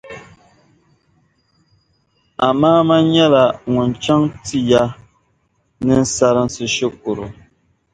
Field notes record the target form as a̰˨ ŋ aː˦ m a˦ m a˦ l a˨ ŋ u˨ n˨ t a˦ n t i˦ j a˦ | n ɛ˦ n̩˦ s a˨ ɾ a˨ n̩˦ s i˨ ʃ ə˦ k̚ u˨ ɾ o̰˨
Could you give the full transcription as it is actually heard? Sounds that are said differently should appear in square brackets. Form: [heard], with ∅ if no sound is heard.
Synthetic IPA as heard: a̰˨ [m] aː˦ m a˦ [ɲ] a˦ l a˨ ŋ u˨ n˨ [t͡ʃ] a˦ [ŋ] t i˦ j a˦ | n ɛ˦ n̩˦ s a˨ ɾ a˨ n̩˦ s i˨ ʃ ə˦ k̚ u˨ ɾ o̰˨